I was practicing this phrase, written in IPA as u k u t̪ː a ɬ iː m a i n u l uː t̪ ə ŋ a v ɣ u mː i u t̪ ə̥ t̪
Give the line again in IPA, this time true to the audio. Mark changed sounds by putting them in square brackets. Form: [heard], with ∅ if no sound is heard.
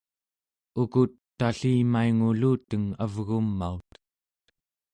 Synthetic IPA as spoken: u k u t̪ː a ɬ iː m a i [ŋ] u l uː t̪ ə ŋ a v ɣ u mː [a] u t̪ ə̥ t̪